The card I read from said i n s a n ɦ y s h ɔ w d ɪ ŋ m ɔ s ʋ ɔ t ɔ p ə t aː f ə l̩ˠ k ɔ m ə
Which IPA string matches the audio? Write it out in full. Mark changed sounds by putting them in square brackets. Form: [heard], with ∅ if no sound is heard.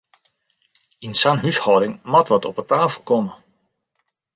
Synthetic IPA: i n s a n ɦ y s h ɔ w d ɪ ŋ m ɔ [t] ʋ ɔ t ɔ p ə t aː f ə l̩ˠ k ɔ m ə